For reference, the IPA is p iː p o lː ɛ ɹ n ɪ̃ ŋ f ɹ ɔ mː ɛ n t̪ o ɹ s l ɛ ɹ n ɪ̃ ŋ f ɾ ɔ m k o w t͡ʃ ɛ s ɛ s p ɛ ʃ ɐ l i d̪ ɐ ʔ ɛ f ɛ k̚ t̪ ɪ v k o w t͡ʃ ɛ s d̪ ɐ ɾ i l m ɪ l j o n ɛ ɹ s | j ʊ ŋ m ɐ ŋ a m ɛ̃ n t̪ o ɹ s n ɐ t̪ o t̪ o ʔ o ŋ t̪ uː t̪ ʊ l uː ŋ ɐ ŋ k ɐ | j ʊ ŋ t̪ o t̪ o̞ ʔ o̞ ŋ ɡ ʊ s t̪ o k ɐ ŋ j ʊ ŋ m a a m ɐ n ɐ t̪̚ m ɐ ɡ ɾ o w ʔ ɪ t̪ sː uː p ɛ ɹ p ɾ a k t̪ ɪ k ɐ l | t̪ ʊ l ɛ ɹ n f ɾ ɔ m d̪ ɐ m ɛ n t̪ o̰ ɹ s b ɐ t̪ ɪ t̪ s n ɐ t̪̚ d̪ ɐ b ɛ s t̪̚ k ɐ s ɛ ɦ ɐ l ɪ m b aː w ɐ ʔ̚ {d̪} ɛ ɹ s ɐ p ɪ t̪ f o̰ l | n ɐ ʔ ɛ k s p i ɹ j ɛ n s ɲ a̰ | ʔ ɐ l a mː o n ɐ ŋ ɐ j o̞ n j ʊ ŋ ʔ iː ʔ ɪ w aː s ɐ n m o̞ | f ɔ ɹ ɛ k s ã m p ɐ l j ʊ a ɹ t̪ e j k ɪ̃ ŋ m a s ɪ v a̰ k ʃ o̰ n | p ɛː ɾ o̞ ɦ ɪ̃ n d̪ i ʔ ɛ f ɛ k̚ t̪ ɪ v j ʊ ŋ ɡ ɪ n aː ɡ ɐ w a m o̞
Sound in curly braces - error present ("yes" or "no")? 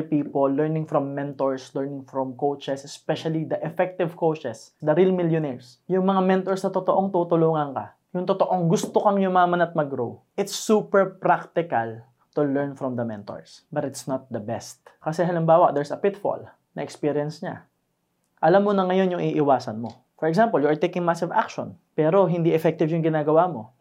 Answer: no